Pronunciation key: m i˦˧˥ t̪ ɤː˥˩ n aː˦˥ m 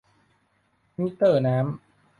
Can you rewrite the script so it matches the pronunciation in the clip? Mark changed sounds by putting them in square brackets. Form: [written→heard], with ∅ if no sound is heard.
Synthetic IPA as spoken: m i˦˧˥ t̪ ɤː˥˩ n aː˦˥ m